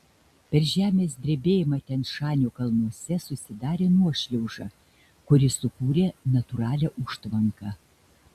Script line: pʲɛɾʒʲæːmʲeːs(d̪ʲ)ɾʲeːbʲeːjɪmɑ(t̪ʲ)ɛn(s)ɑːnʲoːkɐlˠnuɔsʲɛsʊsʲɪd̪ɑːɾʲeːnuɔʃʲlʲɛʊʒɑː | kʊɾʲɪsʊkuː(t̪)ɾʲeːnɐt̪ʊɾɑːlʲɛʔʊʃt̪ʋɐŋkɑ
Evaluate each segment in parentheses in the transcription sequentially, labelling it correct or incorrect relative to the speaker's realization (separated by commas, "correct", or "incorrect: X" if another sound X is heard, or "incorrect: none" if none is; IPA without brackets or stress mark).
correct, correct, incorrect: ʃ, incorrect: none